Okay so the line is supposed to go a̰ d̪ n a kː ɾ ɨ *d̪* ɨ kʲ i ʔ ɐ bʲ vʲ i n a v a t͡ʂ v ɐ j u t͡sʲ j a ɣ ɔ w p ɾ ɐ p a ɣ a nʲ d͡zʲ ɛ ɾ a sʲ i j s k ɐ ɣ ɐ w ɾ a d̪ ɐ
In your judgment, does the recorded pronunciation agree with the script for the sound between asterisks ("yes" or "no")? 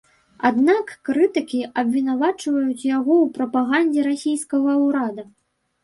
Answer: no